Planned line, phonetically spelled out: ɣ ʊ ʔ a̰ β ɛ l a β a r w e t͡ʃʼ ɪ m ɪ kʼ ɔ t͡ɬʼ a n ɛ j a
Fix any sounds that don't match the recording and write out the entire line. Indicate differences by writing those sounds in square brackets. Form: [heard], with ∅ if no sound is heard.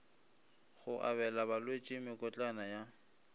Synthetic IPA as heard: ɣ ʊ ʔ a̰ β ɛ l a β a [l] w e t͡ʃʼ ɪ m ɪ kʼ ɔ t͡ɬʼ a n [a] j a